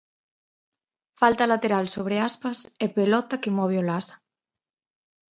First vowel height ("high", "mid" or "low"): low